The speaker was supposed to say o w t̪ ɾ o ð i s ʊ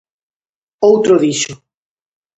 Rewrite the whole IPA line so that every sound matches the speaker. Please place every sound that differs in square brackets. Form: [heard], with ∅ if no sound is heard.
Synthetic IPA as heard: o w t̪ ɾ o ð i [ʃ] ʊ